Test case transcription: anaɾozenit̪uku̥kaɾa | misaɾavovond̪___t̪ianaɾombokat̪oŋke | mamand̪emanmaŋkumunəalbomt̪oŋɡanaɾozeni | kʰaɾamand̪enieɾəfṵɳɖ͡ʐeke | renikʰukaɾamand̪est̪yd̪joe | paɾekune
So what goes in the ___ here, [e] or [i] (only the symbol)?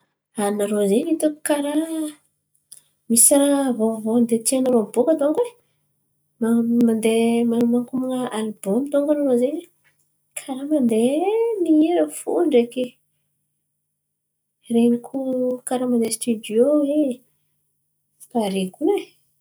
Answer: e